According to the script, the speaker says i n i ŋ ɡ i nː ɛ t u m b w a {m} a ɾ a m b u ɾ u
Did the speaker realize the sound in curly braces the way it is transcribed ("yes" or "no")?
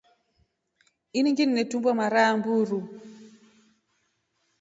yes